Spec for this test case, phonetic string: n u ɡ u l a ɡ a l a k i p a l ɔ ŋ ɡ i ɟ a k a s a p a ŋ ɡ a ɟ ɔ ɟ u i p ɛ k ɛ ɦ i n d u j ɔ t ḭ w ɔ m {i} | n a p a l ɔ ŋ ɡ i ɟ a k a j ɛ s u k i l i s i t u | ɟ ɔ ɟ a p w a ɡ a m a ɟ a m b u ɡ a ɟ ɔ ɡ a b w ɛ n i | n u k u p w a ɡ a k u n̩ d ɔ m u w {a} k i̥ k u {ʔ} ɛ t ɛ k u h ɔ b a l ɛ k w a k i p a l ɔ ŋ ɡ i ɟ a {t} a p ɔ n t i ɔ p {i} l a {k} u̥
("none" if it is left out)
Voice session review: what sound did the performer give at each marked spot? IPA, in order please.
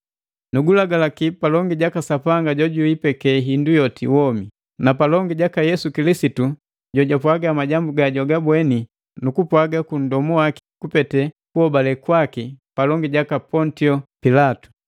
i, a, p, k, i, t

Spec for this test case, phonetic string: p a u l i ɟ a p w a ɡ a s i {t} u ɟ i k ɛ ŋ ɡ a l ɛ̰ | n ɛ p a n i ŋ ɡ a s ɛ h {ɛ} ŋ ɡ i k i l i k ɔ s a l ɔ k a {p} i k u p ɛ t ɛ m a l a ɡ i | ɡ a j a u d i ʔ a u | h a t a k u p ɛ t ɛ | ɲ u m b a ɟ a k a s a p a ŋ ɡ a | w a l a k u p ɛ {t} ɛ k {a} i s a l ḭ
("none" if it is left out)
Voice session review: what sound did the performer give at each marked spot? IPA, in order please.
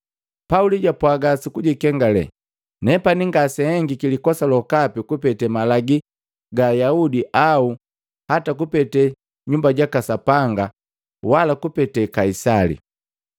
k, ɛ, p, t, a

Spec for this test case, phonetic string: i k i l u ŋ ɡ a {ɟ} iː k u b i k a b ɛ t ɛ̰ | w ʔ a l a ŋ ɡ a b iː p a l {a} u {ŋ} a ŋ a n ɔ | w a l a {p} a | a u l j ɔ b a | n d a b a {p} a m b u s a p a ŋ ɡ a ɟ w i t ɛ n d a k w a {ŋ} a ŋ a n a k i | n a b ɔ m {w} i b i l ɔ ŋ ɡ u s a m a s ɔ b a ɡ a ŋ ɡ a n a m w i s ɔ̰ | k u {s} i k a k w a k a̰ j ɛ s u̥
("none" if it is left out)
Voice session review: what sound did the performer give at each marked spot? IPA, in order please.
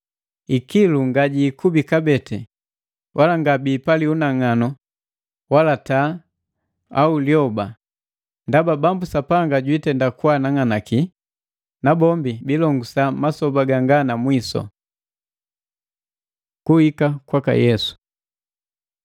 ɟ, i, n, t, b, n, b, h

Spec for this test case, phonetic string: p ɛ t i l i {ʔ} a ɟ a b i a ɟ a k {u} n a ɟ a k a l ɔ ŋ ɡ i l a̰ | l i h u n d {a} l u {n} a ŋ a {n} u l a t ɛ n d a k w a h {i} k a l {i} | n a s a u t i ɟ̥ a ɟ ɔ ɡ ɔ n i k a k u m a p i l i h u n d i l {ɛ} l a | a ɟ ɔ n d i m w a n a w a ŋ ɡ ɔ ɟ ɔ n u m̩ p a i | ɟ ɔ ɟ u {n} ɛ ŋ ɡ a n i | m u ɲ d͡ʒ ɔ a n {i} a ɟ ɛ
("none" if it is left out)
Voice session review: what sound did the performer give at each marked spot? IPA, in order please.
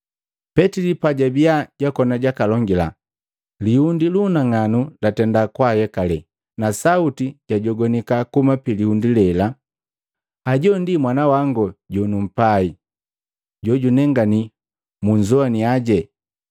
p, ɔ, i, n, n, ɛ, ɛ, ɛ, n, i

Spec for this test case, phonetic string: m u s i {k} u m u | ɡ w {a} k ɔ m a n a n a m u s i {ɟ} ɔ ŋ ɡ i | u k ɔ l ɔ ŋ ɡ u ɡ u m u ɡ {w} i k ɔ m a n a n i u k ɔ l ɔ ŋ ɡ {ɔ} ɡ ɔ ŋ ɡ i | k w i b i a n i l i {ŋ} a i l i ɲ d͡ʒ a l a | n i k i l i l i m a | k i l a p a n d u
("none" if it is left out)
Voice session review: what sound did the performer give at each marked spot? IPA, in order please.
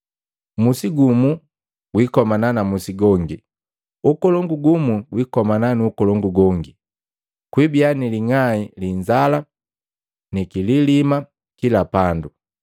ɡ, i, ɡ, w, u, ŋ

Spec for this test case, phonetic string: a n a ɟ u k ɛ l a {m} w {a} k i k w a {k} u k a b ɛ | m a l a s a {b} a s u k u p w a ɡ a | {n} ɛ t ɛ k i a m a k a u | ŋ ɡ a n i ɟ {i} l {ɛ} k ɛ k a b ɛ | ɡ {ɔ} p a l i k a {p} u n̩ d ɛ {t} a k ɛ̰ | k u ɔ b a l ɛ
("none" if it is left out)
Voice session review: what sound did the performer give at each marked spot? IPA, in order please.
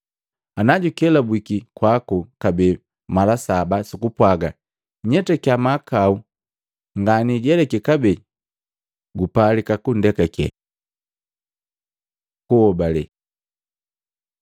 b, i, k, b, ɲ, ɛ, ɛ, u, k, k

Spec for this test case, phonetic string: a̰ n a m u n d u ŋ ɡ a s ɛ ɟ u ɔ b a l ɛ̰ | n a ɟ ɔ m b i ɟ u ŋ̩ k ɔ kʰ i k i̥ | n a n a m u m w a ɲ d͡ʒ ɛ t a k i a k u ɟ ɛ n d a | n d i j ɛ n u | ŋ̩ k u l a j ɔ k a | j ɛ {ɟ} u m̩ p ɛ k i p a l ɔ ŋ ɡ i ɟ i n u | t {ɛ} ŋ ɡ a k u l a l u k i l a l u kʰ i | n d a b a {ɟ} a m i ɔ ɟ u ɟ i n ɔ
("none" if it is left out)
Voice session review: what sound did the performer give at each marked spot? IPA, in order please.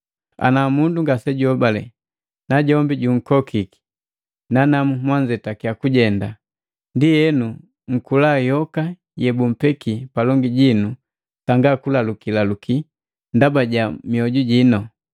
b, a, ɟ

